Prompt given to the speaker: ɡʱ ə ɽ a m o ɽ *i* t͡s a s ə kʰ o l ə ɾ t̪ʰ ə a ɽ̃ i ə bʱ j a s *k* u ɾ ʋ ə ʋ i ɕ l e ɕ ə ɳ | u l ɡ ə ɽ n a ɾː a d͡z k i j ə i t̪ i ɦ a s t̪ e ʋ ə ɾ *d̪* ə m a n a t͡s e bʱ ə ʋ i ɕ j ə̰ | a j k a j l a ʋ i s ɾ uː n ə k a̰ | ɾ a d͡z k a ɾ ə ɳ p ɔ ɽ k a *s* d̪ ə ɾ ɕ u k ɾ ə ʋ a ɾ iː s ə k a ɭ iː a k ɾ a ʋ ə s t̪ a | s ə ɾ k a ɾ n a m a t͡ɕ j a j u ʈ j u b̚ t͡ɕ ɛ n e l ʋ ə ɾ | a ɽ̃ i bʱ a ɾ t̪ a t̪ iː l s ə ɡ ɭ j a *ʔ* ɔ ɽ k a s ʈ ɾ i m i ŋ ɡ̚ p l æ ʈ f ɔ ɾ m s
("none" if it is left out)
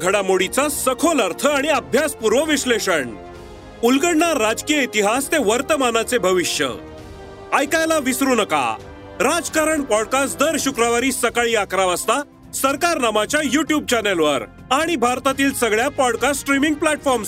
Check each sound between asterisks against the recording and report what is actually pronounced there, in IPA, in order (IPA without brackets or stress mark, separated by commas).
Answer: i, p, t̪, s, p